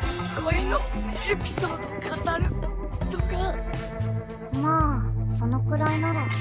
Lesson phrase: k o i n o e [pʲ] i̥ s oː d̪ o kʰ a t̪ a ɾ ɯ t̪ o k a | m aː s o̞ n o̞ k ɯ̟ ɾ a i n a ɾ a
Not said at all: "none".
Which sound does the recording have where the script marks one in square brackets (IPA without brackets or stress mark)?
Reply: pʲ